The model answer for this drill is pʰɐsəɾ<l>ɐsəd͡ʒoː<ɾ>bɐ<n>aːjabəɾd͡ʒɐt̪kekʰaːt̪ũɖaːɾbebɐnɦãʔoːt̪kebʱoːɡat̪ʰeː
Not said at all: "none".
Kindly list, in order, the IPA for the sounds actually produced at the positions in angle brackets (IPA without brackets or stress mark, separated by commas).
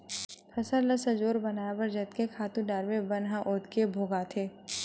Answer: l, ɾ, n